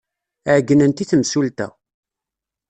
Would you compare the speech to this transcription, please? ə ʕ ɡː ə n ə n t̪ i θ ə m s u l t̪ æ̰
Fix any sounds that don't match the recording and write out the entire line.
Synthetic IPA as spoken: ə ʕ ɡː ə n ə n t̪ i θ ə m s u l t̪ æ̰